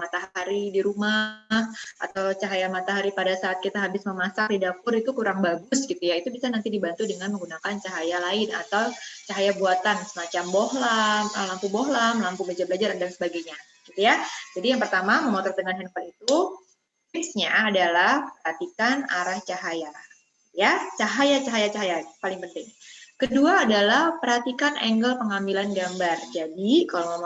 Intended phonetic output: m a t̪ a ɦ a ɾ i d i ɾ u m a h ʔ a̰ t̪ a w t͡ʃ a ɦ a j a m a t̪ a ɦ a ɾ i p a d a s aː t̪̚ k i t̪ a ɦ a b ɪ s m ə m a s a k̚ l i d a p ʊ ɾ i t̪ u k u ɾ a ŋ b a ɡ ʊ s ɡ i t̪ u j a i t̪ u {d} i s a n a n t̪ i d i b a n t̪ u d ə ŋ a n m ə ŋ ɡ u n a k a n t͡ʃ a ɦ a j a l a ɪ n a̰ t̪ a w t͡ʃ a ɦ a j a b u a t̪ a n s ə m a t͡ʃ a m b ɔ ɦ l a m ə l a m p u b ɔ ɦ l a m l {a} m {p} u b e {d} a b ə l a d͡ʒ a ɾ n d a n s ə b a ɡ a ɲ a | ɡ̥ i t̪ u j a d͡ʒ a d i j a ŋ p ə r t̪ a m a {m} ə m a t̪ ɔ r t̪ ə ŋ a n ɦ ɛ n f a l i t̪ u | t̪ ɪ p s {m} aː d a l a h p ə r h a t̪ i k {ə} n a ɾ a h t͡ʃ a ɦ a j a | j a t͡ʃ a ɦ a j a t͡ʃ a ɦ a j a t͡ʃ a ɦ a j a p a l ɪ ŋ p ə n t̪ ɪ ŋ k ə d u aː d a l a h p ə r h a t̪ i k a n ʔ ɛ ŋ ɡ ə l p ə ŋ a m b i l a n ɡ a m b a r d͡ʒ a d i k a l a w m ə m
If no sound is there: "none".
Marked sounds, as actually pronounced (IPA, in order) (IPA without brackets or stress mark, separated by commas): b, a, p, d͡ʒ, m, ɲ, a